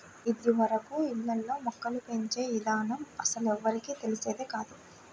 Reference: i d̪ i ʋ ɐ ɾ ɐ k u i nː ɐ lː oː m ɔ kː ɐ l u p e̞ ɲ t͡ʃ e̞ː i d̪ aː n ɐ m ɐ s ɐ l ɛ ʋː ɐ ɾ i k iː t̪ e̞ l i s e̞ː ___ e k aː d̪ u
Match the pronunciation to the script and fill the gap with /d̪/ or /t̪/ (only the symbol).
d̪